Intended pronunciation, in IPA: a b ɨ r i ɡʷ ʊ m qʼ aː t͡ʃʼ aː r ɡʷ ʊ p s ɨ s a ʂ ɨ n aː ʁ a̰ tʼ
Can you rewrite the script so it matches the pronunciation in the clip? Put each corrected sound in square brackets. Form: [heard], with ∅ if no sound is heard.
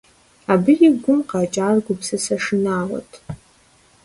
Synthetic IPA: a b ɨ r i ɡʷ ʊ m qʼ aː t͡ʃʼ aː r ɡʷ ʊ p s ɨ s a ʂ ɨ n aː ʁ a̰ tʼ